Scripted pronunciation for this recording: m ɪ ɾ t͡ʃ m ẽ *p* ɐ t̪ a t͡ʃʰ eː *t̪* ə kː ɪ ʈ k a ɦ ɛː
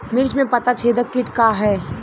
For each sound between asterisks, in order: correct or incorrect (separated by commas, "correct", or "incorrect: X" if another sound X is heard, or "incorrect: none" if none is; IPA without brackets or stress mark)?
correct, incorrect: d̪